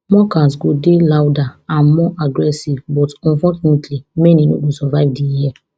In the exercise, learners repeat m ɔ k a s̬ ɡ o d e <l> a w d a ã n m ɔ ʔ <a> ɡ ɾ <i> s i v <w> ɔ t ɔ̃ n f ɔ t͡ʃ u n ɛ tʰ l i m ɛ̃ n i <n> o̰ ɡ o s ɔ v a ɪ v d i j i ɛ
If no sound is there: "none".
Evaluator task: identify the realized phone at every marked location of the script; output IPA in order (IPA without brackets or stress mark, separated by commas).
l, a, ɛ, b, n